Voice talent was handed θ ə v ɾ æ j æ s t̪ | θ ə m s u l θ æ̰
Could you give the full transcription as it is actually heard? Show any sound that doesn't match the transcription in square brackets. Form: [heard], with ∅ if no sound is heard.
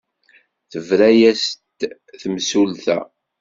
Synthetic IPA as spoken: θ ə v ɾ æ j æ s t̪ | θ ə m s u l θ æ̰